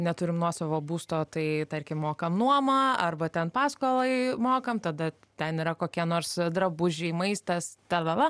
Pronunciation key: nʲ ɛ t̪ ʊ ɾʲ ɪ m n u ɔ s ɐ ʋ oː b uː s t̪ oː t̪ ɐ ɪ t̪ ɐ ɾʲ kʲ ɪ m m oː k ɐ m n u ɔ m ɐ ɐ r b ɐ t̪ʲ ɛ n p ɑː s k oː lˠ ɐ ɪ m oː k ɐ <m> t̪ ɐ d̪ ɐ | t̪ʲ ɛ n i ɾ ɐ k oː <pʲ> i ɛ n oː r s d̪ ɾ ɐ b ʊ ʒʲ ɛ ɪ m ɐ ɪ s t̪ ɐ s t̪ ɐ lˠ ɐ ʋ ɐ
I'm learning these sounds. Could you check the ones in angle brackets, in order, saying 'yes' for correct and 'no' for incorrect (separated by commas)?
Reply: yes, no